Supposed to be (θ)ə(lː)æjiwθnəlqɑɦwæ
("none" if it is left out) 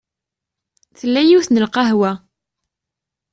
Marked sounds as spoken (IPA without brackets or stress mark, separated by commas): θ, lː